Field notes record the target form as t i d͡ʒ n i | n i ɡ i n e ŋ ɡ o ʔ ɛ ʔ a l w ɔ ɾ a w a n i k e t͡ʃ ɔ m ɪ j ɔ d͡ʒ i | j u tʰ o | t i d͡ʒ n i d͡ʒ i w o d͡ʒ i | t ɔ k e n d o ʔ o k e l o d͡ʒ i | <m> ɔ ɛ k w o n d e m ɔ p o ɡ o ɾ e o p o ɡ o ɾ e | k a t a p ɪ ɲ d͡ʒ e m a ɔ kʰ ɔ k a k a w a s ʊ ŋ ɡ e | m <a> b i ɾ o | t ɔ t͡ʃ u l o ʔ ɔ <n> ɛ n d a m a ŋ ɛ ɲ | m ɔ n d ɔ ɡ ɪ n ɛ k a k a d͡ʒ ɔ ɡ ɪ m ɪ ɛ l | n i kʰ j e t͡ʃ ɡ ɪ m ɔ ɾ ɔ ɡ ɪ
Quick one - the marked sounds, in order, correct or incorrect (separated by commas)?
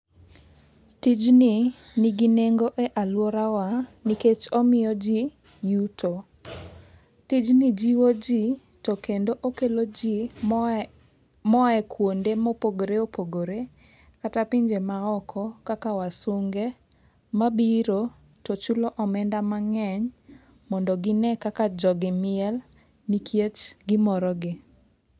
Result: correct, correct, incorrect